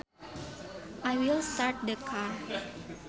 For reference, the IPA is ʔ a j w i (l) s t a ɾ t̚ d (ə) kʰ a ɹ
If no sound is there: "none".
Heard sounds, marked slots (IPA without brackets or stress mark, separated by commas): l, ə